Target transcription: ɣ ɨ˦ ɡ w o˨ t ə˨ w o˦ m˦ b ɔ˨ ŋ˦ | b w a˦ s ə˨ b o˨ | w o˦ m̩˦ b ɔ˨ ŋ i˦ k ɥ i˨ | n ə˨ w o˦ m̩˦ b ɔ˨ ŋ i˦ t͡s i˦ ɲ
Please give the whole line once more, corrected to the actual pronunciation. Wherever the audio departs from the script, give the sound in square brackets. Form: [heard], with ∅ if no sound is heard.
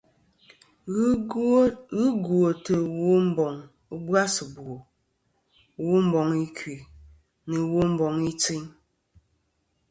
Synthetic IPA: ɣ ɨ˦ ɡ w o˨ t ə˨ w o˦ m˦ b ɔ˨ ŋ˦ | b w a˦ s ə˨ b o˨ | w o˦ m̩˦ b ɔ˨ ŋ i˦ k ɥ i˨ | n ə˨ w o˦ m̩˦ b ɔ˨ ŋ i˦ t͡s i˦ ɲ